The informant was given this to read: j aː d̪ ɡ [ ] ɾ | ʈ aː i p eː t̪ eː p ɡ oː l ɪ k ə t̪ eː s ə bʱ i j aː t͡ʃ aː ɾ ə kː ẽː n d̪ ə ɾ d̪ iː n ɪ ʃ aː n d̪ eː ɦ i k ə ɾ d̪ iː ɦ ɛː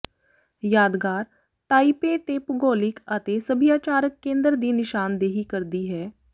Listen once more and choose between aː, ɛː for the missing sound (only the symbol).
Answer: aː